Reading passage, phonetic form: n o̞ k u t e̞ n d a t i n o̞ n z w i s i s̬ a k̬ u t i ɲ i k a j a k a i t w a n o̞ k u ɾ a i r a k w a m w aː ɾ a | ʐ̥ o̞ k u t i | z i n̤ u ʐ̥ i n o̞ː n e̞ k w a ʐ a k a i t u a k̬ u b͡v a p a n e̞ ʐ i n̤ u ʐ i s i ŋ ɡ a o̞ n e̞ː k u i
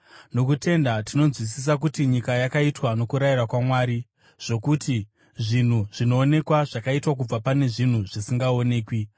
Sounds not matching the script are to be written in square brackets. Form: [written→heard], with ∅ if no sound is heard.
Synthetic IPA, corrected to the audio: n o̞ k u t e̞ n d a t i n o̞ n z w i s i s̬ a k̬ u t i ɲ i k a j a k a i t w a n o̞ k u ɾ a i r a k w a m w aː ɾ [a→i] | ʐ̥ o̞ k u t i | [z→ʐ] i n̤ u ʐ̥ i n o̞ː n e̞ k w a ʐ a k a i t [u→w] a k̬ u b͡v a p a n e̞ ʐ i n̤ u ʐ i s i ŋ ɡ a o̞ n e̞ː k [u→w] i